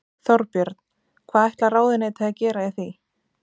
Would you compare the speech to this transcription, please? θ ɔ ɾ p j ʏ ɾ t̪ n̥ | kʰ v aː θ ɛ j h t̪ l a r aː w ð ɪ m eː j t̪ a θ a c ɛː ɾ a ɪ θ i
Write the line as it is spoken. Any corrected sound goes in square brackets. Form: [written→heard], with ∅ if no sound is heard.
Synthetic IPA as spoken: θ ɔ ɾ p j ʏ ɾ t̪ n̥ | kʰ v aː [θ→ð] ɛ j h t̪ l a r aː w ð ɪ [m→n] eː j t̪ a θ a c ɛː ɾ a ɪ θ i